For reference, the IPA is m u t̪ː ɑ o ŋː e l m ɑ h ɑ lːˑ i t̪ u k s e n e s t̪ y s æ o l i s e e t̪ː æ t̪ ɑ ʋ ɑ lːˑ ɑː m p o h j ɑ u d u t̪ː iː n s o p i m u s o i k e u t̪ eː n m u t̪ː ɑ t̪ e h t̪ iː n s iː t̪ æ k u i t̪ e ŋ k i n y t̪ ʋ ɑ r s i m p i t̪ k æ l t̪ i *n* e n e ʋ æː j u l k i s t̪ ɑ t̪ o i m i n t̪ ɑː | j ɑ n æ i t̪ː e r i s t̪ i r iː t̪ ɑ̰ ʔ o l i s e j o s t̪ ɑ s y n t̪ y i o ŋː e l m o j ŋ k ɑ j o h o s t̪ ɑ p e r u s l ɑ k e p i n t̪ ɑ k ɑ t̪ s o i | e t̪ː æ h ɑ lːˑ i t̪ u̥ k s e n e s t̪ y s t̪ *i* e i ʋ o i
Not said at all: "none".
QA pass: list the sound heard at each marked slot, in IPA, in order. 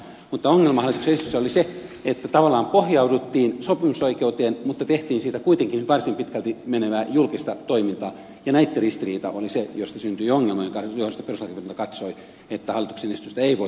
m, æ

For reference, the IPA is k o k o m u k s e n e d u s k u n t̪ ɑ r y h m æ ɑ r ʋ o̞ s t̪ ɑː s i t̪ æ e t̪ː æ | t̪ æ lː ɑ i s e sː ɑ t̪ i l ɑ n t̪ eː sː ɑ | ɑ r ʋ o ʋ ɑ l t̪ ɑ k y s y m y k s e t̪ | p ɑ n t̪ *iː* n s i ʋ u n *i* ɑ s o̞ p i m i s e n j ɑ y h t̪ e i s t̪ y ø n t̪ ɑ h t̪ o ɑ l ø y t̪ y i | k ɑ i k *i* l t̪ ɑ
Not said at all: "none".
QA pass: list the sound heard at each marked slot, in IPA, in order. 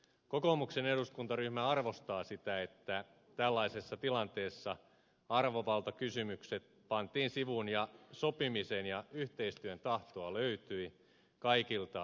iː, j, i

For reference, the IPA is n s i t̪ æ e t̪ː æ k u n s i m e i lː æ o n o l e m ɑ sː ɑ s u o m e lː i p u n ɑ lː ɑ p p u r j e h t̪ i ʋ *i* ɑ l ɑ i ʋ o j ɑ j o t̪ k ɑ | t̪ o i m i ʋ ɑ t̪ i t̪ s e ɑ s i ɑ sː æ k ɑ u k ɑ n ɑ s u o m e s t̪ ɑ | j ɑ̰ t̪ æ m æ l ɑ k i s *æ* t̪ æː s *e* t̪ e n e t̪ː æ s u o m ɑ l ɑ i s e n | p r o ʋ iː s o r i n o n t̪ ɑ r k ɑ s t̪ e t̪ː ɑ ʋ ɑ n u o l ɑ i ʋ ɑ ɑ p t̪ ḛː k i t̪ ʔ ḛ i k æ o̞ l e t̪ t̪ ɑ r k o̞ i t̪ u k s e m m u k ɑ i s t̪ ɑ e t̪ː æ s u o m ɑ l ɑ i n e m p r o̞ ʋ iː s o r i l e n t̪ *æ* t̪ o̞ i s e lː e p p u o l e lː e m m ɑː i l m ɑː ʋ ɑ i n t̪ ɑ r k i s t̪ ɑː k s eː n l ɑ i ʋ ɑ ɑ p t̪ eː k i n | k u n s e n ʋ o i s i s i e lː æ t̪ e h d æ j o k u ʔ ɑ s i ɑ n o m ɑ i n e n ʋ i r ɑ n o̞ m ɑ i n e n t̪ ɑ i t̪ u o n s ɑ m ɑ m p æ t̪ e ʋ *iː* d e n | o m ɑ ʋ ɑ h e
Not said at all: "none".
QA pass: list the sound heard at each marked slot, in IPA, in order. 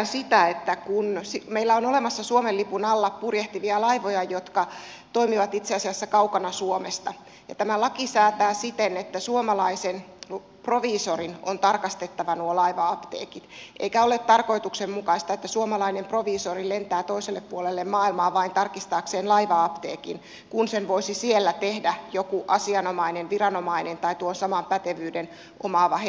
i, æː, i, æː, yː

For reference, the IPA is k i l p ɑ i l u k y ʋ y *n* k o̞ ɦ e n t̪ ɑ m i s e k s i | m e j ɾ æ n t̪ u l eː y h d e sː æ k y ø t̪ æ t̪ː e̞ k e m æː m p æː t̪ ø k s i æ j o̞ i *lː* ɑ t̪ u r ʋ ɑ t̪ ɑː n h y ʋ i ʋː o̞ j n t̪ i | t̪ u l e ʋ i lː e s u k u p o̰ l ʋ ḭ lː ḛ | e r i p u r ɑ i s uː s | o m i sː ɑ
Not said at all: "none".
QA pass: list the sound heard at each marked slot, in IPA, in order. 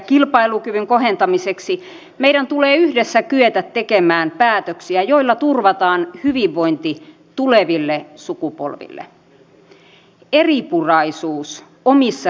ŋ, lː

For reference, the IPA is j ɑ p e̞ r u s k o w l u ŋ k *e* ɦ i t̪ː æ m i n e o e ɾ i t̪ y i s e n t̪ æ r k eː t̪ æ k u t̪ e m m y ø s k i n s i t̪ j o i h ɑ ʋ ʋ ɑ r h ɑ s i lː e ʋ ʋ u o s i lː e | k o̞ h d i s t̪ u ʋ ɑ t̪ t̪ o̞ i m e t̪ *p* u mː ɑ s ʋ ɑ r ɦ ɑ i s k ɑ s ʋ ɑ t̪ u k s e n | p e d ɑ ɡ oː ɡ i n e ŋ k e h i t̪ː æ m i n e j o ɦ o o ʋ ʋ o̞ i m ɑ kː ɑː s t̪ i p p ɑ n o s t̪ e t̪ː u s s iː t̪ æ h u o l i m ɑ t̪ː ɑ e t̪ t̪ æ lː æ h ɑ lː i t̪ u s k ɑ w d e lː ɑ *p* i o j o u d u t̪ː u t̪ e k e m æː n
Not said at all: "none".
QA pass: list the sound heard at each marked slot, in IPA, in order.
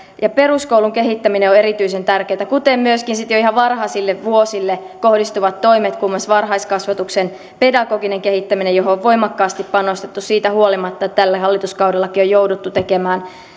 e, k, k

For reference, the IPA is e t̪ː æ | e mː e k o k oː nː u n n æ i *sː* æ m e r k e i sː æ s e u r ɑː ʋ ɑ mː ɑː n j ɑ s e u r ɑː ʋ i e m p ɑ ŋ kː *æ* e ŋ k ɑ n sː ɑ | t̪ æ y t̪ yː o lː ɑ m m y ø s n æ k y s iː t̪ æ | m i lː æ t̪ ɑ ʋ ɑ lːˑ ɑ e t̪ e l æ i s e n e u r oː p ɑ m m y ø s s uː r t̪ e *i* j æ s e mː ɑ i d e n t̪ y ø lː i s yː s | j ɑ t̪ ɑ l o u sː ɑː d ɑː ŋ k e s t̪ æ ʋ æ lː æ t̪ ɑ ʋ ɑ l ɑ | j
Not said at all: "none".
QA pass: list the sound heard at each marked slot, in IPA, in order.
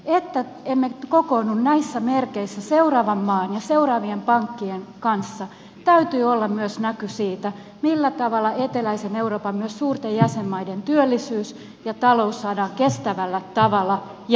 sː, i, j

